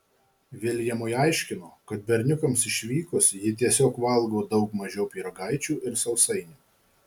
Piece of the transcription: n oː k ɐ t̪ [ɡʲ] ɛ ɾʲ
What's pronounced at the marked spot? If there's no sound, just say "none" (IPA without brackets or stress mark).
bʲ